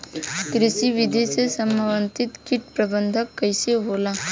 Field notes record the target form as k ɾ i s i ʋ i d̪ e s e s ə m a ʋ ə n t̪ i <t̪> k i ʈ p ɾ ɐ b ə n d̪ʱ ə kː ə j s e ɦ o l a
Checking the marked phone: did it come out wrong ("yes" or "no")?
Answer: no